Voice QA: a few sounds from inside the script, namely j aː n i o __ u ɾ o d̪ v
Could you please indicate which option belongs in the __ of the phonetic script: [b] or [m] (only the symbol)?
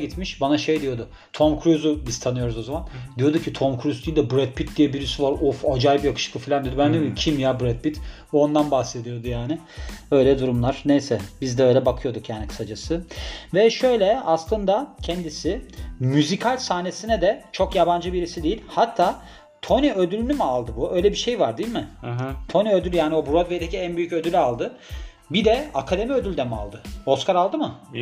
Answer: b